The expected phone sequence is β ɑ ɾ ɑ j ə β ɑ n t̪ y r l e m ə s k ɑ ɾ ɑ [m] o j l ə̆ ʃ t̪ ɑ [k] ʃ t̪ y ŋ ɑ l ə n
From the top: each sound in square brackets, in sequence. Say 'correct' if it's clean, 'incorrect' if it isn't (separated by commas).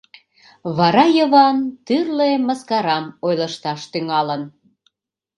correct, incorrect